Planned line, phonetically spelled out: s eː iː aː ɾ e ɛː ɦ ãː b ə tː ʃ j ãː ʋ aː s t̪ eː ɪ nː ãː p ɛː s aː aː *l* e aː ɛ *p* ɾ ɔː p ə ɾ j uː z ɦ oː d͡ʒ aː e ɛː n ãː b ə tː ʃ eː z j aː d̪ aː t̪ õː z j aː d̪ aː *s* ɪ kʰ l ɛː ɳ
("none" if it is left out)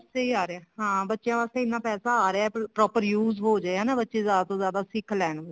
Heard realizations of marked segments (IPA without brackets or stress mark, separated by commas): ɾ, p, s